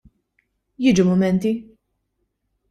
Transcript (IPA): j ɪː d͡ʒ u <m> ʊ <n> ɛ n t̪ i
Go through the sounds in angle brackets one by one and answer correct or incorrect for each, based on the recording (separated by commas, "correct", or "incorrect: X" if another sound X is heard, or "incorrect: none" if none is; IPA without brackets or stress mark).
correct, incorrect: m